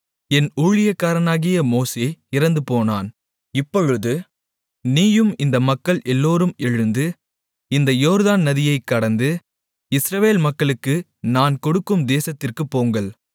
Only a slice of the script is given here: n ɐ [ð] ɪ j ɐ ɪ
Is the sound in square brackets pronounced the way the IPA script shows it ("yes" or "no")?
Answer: yes